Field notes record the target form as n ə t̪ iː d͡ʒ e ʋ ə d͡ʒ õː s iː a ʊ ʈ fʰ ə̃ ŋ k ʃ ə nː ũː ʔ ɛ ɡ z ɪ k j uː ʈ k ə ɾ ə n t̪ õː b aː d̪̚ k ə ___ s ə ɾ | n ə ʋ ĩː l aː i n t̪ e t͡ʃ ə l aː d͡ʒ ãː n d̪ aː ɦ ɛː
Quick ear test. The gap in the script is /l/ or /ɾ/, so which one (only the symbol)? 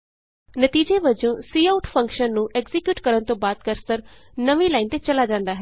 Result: ɾ